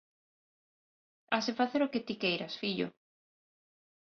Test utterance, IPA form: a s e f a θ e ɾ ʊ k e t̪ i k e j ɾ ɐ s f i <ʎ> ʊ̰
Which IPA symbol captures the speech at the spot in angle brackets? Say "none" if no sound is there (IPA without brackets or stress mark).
ʎ